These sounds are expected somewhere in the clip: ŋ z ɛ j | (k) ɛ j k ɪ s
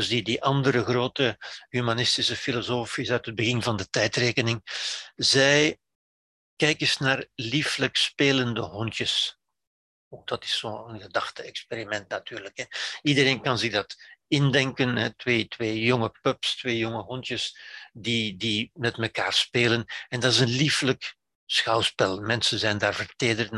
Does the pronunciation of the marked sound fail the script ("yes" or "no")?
no